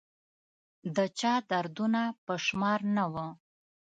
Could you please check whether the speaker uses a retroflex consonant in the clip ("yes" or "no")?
no